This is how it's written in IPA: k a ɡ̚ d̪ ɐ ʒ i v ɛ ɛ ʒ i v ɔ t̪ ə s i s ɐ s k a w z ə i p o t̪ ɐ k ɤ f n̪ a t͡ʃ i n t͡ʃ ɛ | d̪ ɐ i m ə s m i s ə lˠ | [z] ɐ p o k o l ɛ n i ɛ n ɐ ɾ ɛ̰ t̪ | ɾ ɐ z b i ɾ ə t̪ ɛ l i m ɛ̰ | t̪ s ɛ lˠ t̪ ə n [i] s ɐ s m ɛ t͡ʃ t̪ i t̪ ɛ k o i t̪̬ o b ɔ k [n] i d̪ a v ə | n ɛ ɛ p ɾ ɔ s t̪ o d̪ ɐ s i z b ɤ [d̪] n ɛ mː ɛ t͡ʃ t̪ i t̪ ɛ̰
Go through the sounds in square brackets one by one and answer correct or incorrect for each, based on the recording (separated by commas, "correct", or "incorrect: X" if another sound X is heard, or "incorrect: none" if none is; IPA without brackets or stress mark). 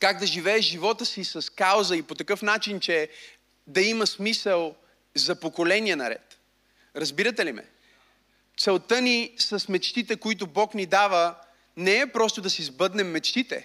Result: correct, correct, correct, correct